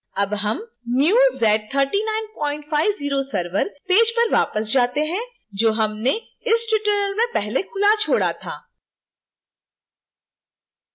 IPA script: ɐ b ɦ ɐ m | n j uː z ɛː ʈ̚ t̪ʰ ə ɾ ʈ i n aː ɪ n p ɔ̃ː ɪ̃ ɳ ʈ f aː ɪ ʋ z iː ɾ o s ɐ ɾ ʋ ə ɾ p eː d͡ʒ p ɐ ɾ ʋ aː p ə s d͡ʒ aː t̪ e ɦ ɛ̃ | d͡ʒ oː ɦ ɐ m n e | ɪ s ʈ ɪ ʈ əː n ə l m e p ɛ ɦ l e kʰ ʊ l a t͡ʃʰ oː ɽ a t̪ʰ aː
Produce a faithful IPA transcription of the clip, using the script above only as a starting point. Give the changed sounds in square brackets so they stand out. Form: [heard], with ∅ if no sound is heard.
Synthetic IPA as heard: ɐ b ɦ ɐ m | n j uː z ɛː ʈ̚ t̪ʰ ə ɾ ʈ i n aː ɪ n p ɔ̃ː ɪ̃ ɳ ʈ f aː ɪ ʋ z iː ɾ o s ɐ ɾ ʋ ə ɾ p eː d͡ʒ p ɐ ɾ ʋ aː p ə s d͡ʒ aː t̪ e ɦ ɛ̃ | d͡ʒ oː ɦ ɐ m n e | ɪ s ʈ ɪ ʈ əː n ə l m [ẽ] p ɛ ɦ l e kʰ ʊ l a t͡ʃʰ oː ɽ a t̪ʰ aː